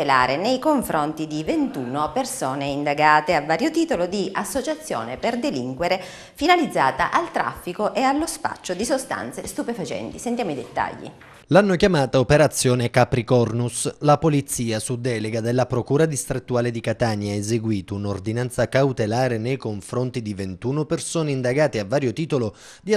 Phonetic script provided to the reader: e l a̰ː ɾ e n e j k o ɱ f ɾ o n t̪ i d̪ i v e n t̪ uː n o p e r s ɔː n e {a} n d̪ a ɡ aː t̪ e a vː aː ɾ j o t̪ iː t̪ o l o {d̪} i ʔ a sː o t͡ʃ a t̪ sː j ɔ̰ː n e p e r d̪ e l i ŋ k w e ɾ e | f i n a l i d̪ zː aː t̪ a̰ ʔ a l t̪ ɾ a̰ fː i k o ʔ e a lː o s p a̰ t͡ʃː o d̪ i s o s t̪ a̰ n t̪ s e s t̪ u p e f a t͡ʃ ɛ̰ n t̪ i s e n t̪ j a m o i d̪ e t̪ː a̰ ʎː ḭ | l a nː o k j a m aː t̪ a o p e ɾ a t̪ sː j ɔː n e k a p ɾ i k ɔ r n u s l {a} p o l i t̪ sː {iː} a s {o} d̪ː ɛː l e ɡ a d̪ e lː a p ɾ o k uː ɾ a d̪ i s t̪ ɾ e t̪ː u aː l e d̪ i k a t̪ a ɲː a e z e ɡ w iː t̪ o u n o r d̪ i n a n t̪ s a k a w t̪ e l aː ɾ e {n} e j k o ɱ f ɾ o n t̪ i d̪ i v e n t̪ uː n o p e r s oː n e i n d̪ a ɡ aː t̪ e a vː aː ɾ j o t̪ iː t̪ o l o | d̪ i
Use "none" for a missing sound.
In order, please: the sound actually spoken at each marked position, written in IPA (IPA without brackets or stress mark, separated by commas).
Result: i, d̪, a, iː, u, n